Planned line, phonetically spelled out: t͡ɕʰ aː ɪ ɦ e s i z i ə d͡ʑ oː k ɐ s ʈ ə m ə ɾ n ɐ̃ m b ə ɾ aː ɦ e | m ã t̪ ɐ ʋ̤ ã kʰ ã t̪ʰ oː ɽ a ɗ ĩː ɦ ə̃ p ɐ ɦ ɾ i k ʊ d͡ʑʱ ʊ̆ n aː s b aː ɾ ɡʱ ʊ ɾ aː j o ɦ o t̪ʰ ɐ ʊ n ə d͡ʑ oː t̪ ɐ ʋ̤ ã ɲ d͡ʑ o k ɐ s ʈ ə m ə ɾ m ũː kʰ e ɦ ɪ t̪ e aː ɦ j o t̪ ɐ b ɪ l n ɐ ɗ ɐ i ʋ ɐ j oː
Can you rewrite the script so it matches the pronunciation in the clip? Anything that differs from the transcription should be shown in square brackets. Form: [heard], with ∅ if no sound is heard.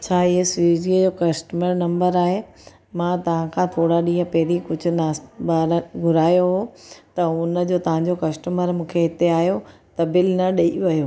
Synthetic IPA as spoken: t͡ɕʰ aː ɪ ɦ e s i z i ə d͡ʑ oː k ɐ s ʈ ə m ə ɾ n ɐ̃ m b ə ɾ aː ɦ e | m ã t̪ ɐ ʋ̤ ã kʰ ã t̪ʰ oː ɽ a ɗ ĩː ɦ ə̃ p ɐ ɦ ɾ i k ʊ d͡ʑʱ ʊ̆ n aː s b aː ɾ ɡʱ ʊ ɾ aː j o ɦ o [t̪] ɐ ʊ n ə d͡ʑ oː t̪ ɐ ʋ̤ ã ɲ d͡ʑ o k ɐ s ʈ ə m ə ɾ m ũː kʰ e ɦ ɪ t̪ e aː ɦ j o t̪ ɐ b ɪ l n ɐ ɗ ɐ i ʋ ɐ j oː